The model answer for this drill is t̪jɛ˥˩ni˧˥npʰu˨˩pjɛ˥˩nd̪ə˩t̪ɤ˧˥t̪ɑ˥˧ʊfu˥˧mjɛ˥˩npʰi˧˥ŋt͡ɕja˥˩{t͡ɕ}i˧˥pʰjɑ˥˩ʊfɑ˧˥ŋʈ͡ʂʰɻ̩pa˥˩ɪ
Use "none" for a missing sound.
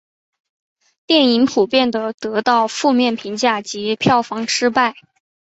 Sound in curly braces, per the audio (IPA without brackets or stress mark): t͡ɕ